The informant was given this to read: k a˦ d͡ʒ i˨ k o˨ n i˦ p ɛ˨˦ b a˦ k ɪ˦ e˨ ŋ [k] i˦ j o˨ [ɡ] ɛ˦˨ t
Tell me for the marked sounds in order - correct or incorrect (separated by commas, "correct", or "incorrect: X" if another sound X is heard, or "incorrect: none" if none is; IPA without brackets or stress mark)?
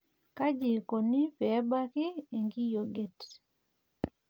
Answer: incorrect: ɡ, correct